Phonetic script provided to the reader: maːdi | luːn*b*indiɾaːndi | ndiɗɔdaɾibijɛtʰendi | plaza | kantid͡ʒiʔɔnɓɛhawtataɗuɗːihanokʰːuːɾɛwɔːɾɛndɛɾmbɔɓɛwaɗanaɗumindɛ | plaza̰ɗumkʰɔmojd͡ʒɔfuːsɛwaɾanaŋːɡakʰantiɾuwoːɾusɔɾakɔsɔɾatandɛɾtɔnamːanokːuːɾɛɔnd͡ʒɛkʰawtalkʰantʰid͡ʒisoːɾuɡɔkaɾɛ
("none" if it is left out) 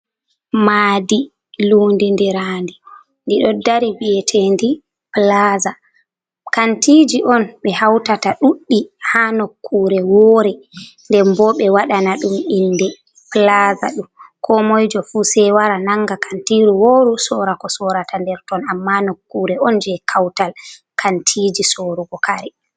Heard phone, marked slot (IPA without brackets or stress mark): d